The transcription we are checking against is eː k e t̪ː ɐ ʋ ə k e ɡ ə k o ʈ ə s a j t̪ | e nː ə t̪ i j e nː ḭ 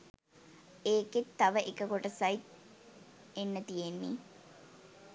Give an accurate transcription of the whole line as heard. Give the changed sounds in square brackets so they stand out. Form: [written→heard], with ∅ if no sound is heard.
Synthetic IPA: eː k e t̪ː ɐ ʋ ə [k→ʔ] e [ɡ→k] ə k o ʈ ə s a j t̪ | e nː ə t̪ i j e nː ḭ